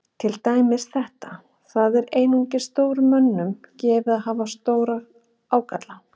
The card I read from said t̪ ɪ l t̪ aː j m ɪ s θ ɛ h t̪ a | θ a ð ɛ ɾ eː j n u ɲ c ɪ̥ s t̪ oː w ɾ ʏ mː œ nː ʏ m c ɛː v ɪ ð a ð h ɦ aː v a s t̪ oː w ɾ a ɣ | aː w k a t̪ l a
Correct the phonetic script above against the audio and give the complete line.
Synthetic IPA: t̪ʰ ɪ l t̪ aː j m ɪ s θ ɛ h t̪ a | θ a ð ɛ ɾ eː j n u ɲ c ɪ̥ s t̪ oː w ɾ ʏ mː œ nː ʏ m c ɛː v ɪ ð a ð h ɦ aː v a s t̪ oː w ɾ a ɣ | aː w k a t̪ l a